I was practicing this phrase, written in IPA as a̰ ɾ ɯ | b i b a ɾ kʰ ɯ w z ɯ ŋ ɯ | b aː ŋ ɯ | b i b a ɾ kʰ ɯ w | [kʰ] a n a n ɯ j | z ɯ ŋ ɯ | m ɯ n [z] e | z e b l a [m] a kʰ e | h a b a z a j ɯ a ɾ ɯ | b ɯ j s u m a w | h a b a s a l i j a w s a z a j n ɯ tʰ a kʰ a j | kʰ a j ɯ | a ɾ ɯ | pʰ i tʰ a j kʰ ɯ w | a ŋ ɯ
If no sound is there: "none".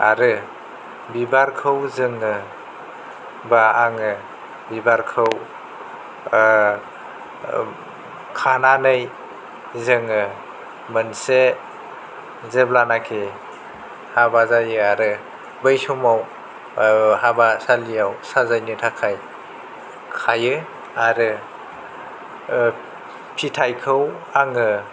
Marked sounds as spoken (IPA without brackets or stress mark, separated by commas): kʰ, s, n